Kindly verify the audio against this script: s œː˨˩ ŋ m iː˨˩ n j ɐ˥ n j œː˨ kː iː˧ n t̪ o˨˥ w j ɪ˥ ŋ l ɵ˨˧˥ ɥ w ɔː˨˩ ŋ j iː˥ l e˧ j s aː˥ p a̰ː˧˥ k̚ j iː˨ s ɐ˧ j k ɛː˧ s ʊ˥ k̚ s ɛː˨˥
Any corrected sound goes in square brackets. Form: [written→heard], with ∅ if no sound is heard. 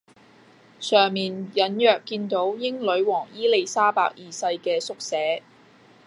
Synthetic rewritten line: s œː˨˩ ŋ m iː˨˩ n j [ɐ˥→ɐ˨˥] n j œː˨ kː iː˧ n t̪ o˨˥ w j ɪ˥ ŋ l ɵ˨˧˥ ɥ w ɔː˨˩ ŋ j iː˥ l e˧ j s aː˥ p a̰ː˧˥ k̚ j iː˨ s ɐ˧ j k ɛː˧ s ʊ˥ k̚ s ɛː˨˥